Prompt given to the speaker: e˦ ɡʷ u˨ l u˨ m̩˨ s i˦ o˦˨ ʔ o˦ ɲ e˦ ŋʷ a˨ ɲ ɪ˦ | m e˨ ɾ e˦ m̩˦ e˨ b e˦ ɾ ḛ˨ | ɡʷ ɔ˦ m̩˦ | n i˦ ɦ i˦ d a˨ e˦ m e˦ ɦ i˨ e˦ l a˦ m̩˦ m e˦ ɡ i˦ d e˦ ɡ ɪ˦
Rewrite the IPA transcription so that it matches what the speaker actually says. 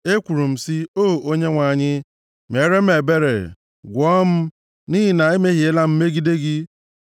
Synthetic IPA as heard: e˦ kʷ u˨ ɾ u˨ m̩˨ s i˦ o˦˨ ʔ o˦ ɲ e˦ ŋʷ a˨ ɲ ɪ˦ | m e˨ ɾ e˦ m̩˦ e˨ b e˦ ɾ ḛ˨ | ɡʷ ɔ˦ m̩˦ | n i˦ ɦ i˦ n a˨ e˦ m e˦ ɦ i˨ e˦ l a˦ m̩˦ m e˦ ɡ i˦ d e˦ ɡ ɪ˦

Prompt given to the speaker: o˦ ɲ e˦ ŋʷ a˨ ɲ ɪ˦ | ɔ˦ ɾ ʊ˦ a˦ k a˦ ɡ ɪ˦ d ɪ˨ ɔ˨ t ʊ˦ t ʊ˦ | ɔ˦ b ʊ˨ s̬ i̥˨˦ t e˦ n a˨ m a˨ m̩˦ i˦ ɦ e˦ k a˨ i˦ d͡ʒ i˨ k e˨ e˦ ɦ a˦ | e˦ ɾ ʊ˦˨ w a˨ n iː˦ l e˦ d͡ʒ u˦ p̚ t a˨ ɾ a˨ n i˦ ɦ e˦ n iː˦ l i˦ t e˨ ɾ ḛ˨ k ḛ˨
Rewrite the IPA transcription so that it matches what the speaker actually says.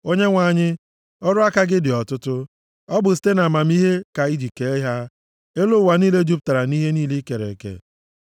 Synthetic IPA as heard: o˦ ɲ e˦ ŋʷ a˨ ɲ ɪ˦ | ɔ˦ ɾ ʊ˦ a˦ k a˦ ɡ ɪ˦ d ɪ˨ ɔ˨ t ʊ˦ t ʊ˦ | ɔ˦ b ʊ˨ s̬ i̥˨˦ t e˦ n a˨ m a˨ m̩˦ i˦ ɦ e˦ k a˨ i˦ d͡ʒ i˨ k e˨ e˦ ɦ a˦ | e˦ l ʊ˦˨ w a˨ n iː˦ l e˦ d͡ʒ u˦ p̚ t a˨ ɾ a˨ n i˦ ɦ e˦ n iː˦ l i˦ k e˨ ɾ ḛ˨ k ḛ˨

